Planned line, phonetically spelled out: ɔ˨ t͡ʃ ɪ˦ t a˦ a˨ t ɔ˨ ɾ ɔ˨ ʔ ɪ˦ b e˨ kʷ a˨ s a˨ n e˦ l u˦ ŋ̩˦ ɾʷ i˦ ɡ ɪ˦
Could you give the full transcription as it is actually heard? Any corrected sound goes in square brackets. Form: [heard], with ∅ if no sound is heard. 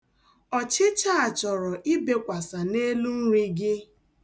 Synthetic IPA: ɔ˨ t͡ʃ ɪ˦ [t͡ʃ] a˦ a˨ [t͡ʃ] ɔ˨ ɾ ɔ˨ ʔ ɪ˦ b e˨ kʷ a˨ s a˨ n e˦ l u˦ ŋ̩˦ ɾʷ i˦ ɡ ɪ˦

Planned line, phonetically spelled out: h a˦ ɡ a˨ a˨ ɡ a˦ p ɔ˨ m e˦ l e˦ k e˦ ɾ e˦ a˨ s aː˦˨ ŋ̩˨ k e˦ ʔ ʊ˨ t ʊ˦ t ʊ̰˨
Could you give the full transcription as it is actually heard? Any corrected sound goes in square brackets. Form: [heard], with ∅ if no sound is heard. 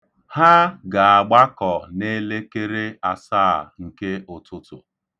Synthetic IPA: h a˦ ɡ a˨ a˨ [ɡ͡b] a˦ [k] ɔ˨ [n] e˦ l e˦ k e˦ ɾ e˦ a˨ s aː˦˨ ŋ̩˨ k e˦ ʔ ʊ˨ t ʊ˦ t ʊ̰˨

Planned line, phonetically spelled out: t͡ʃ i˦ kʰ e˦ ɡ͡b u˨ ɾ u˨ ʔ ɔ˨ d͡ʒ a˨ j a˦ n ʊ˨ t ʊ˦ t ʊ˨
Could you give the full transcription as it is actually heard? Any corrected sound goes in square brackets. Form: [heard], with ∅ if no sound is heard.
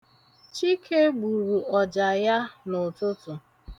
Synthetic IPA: t͡ʃ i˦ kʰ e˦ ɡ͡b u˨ ɾ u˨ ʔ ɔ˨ d͡ʒ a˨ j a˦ n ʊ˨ t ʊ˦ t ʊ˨

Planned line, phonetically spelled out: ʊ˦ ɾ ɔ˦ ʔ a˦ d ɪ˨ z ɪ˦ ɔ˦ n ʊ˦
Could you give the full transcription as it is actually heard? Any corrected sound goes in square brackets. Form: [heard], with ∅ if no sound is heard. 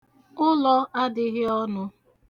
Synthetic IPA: ʊ˦ [l] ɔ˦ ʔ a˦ d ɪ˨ [ɣ] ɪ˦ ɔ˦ n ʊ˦

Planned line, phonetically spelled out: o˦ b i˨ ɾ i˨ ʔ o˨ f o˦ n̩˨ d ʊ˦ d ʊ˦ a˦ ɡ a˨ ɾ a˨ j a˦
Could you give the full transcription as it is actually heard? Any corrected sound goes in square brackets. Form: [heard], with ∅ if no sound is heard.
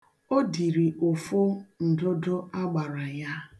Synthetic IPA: o˦ [d] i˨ ɾ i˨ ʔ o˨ f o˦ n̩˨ d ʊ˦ d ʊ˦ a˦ [ɡ͡b] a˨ ɾ a˨ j a˦

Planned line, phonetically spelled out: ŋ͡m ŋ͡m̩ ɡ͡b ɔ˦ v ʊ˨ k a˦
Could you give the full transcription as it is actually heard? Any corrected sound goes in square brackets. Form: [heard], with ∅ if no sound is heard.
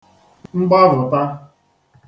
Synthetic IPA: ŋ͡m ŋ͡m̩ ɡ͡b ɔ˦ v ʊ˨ [t] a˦

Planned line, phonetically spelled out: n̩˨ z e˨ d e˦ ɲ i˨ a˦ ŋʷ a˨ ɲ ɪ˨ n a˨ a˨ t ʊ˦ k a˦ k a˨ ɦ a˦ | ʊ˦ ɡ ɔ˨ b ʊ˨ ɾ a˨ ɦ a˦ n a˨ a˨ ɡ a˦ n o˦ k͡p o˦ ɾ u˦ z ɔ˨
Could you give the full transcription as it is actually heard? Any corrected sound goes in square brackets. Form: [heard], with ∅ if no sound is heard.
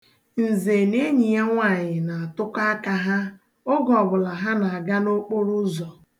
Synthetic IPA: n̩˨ z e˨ [n] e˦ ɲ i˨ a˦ ŋʷ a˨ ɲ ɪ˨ n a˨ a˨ t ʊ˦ k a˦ k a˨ ɦ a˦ | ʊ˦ ɡ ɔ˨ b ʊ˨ [l] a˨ ɦ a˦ n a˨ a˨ ɡ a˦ n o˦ k͡p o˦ ɾ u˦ z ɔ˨

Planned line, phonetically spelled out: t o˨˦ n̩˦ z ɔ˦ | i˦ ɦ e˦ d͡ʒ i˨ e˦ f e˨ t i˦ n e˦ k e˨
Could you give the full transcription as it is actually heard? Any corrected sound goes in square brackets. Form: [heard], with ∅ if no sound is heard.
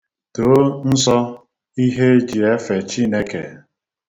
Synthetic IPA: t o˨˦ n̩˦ [s] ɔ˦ | i˦ ɦ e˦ d͡ʒ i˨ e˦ f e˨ [t͡ʃ] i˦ n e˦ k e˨

